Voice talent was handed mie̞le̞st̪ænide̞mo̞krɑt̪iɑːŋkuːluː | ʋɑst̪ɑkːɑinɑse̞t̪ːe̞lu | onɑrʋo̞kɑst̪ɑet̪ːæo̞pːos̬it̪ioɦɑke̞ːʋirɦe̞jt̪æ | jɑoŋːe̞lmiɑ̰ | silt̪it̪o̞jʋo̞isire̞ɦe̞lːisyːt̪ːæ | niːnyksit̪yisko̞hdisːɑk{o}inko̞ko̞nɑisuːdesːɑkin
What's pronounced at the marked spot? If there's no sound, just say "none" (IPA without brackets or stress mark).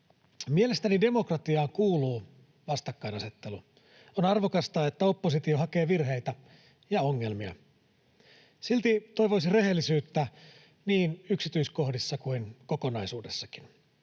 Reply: u